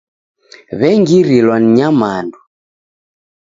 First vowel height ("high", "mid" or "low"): mid